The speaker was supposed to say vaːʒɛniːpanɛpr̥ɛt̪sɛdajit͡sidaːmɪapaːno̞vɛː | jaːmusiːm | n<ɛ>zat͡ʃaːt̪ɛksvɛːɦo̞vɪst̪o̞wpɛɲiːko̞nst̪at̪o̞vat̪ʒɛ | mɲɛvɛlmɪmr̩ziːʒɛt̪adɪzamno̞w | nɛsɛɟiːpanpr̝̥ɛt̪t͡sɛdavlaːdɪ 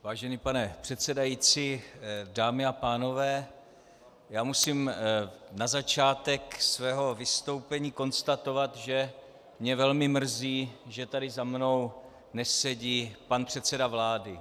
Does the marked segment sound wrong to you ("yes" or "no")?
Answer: yes